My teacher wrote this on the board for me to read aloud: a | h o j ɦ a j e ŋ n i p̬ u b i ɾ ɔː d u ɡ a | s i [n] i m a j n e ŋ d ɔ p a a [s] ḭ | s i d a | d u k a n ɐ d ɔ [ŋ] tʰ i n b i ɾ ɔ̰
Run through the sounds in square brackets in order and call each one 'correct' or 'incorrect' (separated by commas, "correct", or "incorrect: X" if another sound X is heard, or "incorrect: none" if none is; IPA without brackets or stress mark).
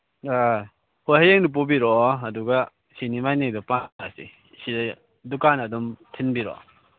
correct, correct, incorrect: m